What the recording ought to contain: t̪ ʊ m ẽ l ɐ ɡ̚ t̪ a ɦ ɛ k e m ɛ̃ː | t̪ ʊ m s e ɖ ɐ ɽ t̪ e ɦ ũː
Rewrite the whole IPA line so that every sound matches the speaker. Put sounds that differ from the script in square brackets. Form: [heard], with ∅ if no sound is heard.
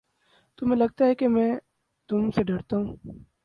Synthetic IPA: t̪ ʊ m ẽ l ɐ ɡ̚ t̪ a ɦ ɛ k e m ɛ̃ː | t̪ ʊ m s e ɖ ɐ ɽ t̪ [a] ɦ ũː

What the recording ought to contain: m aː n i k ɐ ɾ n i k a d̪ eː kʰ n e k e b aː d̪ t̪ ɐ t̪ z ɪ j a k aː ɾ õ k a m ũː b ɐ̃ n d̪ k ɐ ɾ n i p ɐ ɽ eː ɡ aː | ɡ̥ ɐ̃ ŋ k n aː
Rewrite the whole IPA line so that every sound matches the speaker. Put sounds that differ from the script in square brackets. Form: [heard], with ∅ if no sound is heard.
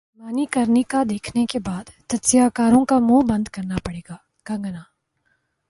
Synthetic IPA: m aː n i k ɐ ɾ n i k a d̪ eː kʰ n e k e b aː d̪ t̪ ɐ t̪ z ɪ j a k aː ɾ õ k a m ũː b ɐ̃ n d̪ k ɐ ɾ n [a] p ɐ ɽ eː ɡ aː | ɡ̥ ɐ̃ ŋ [ɡ] n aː

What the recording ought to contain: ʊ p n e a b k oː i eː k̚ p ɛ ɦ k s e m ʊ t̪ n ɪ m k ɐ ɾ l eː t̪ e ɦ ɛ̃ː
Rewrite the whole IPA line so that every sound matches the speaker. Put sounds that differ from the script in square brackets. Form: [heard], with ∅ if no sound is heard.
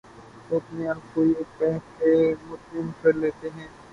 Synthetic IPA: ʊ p n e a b k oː i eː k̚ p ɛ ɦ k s e m ʊ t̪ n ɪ m k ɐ ɾ l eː t̪ e ɦ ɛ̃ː

